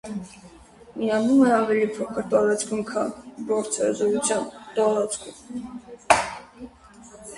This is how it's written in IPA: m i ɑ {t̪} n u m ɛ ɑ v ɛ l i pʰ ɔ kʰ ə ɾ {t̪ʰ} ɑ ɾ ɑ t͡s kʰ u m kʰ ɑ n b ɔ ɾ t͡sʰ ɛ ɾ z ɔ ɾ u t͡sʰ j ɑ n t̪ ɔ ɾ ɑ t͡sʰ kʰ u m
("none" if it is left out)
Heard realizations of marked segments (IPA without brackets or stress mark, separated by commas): none, t̪